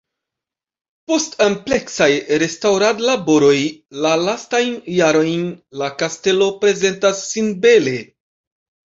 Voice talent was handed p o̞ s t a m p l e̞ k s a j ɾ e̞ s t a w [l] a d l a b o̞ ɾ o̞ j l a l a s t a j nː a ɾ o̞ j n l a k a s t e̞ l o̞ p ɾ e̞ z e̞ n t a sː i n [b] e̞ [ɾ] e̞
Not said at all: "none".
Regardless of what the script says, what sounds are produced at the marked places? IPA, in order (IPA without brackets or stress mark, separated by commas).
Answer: ɾ, b, l